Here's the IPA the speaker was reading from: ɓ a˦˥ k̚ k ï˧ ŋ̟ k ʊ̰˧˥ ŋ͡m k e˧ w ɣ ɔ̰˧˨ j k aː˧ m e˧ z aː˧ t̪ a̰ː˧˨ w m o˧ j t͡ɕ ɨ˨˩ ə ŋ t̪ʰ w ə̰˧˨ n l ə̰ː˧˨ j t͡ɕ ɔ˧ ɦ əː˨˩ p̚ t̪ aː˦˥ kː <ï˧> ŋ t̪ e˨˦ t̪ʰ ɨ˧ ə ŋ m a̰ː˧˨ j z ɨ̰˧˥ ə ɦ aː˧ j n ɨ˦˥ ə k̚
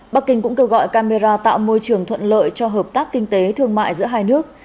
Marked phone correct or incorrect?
correct